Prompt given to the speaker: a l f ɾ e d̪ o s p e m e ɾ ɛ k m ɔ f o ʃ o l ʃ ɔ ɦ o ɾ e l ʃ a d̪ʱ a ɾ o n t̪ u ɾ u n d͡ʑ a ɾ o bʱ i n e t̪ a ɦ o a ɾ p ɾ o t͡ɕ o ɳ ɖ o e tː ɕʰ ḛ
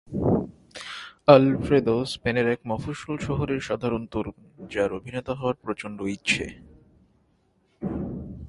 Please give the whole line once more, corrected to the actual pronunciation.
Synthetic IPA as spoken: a l f ɾ e d̪ o s p e n e ɾ ɛ k m ɔ f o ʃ o l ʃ ɔ ɦ o ɾ e ɾ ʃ a d̪ʱ a ɾ o n t̪ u ɾ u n d͡ʑ a ɾ o bʱ i n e t̪ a ɦ ɔ a ɾ p ɾ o t͡ɕ o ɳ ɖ o i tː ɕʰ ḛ